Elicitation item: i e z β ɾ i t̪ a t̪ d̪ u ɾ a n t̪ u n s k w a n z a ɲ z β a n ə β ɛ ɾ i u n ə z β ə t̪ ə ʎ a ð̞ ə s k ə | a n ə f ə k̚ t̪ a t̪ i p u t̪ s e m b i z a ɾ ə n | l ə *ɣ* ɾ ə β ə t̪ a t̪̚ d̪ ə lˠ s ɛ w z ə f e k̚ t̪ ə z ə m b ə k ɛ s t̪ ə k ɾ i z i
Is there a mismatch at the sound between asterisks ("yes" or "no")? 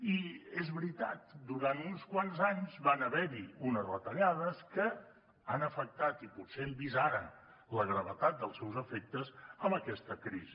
no